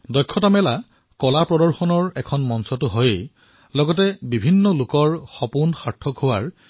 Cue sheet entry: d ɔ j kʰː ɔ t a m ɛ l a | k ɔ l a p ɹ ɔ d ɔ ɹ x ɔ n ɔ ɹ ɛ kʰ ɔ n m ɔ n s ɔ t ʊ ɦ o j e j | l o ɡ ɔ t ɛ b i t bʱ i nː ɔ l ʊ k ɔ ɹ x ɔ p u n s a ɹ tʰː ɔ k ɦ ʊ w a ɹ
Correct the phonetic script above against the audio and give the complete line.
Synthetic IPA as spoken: d ɔ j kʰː ɔ t a m ɛ l a | k ɔ l a p ɹ ɔ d ɔ ɹ x ɔ n ɔ ɹ ɛ kʰ ɔ n m ɔ n s ɔ t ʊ ɦ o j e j | l ɔ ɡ ɔ t ɛ b i bʱ i nː ɔ l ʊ k ɔ ɹ x ɔ p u n x a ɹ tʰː ɔ k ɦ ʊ w a ɹ